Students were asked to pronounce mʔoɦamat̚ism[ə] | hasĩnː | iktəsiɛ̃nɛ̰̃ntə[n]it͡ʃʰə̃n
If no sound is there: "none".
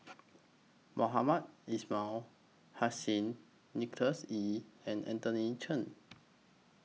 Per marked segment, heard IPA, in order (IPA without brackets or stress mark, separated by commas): a, n